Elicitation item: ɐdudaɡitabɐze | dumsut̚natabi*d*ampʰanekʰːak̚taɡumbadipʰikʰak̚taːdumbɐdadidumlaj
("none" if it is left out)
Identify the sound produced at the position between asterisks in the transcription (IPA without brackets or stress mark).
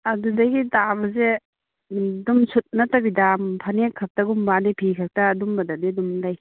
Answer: d